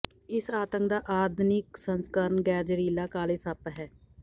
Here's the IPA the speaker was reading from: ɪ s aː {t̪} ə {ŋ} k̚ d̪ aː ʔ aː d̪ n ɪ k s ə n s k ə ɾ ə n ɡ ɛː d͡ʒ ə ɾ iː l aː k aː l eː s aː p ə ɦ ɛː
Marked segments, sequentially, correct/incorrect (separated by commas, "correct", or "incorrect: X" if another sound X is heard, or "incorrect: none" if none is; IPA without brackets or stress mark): correct, correct